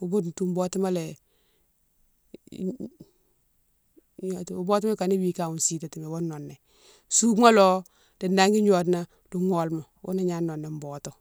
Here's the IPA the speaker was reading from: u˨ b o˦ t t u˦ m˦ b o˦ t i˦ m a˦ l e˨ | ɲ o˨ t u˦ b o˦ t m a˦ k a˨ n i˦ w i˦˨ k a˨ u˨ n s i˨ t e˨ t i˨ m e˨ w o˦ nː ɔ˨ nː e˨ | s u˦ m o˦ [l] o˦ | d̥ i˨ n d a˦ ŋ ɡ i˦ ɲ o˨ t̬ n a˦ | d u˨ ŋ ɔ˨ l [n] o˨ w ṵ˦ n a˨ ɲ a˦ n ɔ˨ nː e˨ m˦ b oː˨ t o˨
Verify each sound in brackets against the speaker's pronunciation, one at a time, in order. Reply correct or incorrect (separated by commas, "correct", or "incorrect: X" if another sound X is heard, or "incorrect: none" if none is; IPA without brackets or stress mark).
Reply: correct, incorrect: m